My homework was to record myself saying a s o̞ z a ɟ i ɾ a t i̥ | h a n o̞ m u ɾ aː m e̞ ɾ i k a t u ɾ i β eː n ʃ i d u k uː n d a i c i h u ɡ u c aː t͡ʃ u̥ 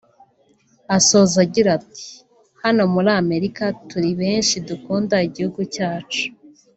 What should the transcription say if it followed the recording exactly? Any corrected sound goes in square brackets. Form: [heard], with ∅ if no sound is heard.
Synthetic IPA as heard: a s o̞ z a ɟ i ɾ a t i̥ | h a n o̞ m u ɾ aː m e̞ ɾ i k a t u ɾ i β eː n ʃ i d u k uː n d a i [ɟ] i h u ɡ u c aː t͡ʃ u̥